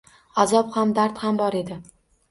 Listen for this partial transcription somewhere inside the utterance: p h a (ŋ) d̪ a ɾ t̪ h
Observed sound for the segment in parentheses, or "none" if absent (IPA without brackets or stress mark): m